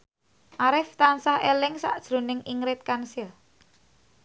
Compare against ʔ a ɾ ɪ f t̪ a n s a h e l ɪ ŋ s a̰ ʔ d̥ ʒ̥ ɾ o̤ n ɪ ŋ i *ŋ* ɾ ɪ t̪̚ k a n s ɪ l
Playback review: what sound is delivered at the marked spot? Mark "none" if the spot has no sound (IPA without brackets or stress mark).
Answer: ŋ